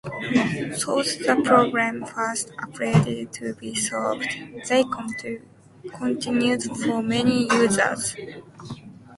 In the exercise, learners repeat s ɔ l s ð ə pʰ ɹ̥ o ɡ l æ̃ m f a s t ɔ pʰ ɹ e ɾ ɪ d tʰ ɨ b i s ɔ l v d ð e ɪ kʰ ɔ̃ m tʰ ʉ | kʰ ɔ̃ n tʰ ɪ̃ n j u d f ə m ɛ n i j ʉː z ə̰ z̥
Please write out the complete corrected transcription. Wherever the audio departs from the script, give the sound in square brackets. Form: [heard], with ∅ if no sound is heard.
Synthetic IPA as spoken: s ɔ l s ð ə pʰ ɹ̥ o ɡ [ɹ] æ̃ m f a s t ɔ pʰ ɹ e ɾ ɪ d tʰ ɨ b i s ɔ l v d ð e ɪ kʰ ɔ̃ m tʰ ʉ | kʰ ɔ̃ n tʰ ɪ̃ n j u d f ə m ɛ n i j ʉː z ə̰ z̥